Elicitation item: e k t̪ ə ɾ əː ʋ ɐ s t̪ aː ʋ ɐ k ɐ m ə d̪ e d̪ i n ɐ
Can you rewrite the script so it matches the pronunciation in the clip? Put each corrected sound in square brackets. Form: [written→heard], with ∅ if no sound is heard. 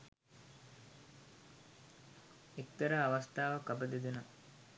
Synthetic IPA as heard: e k t̪ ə ɾ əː ʋ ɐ s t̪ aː ʋ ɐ k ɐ [m→b] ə d̪ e d̪ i n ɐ